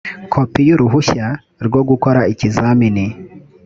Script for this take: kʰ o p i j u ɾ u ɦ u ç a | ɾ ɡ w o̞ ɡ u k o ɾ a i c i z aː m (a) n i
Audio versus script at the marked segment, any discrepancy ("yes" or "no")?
yes